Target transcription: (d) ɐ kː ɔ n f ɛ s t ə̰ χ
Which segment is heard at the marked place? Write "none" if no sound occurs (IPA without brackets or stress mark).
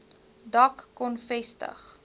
d